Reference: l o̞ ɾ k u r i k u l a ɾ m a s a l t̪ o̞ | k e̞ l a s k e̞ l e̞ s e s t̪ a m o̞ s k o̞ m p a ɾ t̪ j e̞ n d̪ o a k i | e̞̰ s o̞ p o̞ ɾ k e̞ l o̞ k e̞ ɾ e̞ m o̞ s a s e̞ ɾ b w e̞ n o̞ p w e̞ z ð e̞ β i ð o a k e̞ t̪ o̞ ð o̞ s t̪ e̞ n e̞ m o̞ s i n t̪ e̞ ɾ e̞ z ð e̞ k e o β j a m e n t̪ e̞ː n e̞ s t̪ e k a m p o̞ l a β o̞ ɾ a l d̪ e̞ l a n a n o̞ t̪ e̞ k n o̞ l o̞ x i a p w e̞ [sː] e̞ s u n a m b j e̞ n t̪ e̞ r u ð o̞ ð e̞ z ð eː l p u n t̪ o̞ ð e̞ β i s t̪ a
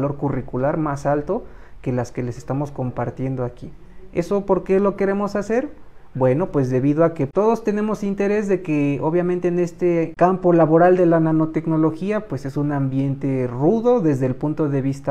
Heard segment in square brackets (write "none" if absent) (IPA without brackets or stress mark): s